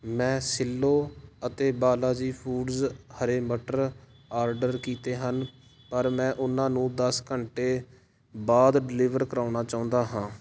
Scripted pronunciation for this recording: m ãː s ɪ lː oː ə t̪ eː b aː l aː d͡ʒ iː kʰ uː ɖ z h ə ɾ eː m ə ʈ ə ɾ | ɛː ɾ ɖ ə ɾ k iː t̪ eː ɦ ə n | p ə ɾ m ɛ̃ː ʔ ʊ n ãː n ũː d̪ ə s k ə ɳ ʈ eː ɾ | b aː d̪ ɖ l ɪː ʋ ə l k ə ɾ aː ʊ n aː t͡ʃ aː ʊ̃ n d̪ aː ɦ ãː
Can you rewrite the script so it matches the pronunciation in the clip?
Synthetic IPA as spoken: m ɛ̃ː s ɪ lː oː ə t̪ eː b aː l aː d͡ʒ iː pʰ uː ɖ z h ə ɾ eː m ə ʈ ə ɾ | aː ɾ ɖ ə ɾ k iː t̪ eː ɦ ə n | p ə ɾ m ɛ̃ː ʔ ʊ n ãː n ũː d̪ ə s k ə ɳ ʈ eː | b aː d̪ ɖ l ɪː ʋ ə ɾ k ə ɾ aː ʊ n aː t͡ʃ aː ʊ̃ n d̪ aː ɦ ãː